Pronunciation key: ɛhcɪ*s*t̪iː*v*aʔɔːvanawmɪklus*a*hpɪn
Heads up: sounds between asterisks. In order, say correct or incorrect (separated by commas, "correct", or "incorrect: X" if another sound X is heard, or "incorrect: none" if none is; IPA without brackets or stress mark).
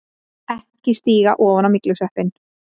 correct, incorrect: ɣ, incorrect: ɛ